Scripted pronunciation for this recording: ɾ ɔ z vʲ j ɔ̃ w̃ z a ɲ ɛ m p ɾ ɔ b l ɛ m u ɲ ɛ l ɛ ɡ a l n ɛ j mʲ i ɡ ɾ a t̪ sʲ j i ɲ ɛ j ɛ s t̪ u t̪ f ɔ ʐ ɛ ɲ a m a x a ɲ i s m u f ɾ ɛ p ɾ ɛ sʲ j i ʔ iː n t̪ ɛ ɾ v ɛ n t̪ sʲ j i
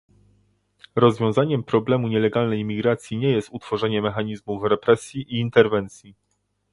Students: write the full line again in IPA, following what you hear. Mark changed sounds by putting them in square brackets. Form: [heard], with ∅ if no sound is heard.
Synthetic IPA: ɾ ɔ z vʲ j ɔ̃ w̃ z a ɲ ɛ m p ɾ ɔ b l ɛ m u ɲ ɛ l ɛ ɡ a l n ɛ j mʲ i ɡ ɾ a t̪ sʲ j i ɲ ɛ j ɛ s t̪ u t̪ f ɔ ʐ ɛ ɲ [ɛ] m [ɛ] x a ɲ i [z] m u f ɾ ɛ p ɾ ɛ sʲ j i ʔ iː n t̪ ɛ ɾ v ɛ n t̪ sʲ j i